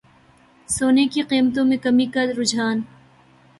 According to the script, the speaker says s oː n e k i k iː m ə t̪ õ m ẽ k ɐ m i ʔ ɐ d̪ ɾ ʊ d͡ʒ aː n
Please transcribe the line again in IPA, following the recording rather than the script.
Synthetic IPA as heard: s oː n e k i q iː m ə t̪ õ m ẽ k ɐ m i k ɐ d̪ ɾ ʊ d͡ʒ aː n